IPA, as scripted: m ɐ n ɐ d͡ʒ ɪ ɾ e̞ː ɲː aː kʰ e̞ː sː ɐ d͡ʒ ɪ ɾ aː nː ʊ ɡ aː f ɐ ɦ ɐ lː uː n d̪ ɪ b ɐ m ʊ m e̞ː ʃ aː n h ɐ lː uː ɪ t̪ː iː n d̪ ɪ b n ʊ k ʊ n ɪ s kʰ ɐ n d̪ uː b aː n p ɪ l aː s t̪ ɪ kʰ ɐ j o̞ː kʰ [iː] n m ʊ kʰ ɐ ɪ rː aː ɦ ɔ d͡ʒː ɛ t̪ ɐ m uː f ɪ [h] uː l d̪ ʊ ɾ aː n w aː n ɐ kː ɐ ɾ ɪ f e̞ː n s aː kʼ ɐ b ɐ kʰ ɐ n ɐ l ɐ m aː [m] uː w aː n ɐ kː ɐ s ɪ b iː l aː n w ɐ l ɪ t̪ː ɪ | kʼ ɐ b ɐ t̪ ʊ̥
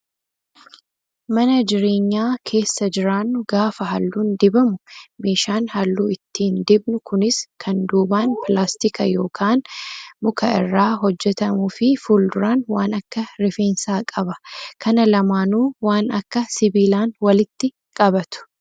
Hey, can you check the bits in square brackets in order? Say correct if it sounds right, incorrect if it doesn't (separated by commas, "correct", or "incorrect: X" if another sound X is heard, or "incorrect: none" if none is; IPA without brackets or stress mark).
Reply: incorrect: aː, incorrect: f, incorrect: n